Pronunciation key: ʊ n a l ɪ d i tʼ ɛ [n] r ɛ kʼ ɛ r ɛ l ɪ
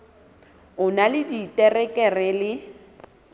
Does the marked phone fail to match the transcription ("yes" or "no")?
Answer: yes